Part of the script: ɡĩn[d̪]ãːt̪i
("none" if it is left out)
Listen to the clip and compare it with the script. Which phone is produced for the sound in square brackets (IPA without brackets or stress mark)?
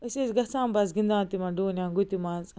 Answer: d̪